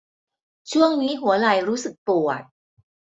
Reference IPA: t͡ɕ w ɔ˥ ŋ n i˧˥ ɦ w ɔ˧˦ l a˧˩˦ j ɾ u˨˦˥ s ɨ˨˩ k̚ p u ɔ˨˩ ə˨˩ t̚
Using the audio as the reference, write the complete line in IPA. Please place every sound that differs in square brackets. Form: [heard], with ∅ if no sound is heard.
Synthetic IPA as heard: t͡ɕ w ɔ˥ ŋ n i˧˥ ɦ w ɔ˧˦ l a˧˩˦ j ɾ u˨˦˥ s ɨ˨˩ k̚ p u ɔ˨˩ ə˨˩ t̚